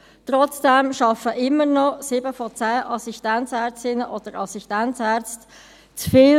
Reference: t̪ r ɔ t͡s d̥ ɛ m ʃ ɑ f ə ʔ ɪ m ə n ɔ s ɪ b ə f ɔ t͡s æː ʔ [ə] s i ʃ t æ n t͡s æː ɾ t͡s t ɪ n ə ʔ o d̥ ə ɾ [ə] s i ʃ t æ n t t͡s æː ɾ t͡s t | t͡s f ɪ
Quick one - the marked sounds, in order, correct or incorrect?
incorrect: ɑ, incorrect: ɑ

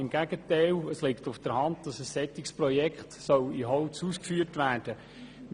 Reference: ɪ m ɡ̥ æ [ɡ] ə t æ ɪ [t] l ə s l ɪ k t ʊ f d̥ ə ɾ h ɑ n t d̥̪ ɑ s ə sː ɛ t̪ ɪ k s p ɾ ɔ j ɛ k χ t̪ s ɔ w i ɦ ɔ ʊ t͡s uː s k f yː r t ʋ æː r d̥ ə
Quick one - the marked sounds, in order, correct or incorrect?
correct, incorrect: none

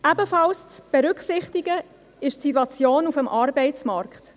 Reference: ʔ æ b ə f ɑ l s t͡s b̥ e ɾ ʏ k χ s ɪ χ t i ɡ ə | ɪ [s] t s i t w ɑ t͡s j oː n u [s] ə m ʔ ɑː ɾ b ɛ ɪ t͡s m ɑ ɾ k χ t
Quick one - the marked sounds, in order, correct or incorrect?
incorrect: ʃ, incorrect: f

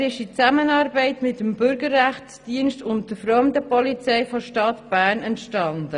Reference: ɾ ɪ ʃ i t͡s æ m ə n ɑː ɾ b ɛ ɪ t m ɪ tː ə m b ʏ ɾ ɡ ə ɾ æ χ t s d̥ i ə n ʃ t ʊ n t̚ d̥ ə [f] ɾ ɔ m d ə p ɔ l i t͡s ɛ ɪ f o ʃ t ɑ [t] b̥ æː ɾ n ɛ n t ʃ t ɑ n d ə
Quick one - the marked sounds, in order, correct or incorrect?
correct, correct

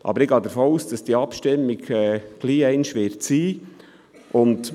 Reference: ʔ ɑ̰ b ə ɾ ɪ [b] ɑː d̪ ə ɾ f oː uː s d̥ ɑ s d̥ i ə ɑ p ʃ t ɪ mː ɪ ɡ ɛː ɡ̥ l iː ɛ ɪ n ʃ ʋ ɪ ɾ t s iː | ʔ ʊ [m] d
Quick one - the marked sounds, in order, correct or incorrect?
incorrect: ɡ, incorrect: n

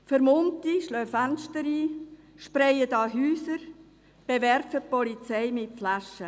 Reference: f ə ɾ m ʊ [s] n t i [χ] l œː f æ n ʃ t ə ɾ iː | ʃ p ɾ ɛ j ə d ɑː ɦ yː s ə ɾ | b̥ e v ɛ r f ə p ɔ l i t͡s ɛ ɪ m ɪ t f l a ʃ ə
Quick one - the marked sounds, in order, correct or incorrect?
incorrect: none, incorrect: ʃ

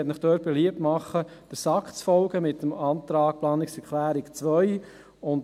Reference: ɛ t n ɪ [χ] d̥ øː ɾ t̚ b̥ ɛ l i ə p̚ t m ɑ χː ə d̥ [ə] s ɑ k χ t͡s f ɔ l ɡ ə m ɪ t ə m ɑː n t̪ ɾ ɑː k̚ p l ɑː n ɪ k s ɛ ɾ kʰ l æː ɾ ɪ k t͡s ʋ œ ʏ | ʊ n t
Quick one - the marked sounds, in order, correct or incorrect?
correct, correct

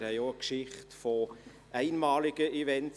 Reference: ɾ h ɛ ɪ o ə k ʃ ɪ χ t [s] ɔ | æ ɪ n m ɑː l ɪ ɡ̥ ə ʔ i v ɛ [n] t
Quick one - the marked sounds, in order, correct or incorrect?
incorrect: f, correct

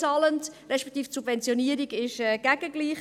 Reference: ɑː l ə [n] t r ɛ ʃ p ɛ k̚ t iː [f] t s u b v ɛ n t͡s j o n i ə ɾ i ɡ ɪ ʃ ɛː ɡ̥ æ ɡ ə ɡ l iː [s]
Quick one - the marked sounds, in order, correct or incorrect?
correct, correct, incorrect: χ

